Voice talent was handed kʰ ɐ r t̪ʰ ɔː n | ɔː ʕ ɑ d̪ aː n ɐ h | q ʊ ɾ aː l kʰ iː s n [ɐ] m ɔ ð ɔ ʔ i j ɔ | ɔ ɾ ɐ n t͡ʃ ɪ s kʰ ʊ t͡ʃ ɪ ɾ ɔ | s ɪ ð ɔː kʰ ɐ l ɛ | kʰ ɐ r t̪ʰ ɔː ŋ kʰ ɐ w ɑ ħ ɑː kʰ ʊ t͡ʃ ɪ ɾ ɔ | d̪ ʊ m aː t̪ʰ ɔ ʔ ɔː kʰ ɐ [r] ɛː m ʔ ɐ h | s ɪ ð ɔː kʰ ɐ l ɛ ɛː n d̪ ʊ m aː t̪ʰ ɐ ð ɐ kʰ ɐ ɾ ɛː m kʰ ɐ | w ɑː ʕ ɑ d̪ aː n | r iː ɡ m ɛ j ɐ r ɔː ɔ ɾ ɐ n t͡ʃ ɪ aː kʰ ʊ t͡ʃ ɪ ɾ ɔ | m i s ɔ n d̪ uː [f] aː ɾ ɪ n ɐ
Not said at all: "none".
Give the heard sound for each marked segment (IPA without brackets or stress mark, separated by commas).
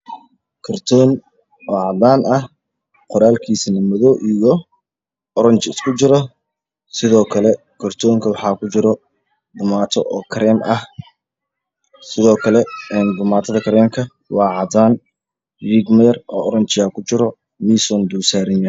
ɐ, ɾ, s